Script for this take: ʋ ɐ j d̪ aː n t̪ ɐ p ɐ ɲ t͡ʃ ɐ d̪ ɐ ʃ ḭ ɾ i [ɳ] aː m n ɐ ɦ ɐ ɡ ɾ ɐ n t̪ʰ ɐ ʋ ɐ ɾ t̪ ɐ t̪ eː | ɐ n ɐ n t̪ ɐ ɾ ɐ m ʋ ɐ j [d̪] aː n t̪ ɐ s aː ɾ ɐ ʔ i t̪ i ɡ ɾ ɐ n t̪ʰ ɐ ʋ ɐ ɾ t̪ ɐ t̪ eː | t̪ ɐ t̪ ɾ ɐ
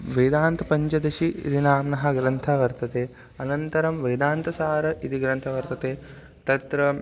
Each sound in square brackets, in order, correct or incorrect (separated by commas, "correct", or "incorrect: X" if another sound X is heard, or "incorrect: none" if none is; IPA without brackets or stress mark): incorrect: n, correct